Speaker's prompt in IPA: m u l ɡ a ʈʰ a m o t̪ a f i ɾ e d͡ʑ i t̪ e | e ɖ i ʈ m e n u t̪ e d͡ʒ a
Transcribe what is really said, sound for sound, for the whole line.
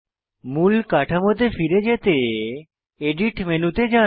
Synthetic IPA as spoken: m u l k a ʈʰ a m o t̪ e f i ɾ e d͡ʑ e t̪ e | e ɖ i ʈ m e n u t̪ e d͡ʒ a